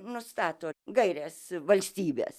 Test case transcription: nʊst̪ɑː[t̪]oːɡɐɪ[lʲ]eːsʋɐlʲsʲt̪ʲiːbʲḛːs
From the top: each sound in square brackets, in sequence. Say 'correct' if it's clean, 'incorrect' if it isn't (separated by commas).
correct, incorrect